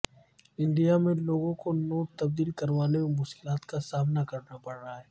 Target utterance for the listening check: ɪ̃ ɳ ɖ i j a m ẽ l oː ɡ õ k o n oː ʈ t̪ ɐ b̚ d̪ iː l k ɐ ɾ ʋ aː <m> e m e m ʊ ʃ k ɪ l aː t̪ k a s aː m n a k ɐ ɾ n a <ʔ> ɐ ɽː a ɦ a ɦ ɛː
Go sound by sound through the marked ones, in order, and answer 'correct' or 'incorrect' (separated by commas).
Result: incorrect, incorrect